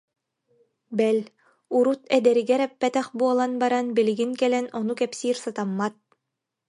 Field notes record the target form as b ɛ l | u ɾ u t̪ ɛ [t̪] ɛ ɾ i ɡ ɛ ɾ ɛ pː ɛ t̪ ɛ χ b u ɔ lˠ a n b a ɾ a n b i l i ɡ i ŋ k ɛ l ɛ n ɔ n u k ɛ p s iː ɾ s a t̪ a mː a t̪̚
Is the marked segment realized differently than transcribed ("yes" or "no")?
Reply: yes